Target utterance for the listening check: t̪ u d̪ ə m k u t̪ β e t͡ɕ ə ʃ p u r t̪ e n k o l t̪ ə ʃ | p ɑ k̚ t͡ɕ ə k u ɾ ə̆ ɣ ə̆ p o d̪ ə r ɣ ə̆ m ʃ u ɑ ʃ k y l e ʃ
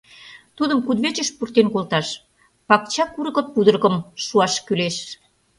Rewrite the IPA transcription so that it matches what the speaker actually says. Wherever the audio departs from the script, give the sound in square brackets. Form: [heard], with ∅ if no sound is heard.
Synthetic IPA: t̪ u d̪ ə m k u [d̪] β e t͡ɕ ə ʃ p u r t̪ e n k o l t̪ [ɑ] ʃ | p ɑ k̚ t͡ɕ [ɑ] k u ɾ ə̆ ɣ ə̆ p [u] d̪ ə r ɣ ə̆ m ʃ u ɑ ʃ k y l e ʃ